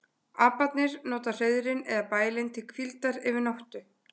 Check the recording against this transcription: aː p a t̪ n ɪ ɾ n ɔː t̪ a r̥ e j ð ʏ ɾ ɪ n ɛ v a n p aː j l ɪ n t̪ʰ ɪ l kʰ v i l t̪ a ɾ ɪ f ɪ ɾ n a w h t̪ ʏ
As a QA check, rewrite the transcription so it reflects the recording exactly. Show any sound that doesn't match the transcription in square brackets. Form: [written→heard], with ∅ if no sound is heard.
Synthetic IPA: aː p a t̪ n ɪ ɾ n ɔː t̪ a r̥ e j ð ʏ ɾ ɪ n ɛ [v→ð] a [n→∅] p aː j l ɪ n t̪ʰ ɪ l kʰ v i l t̪ a ɾ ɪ [f→v] ɪ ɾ n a w h t̪ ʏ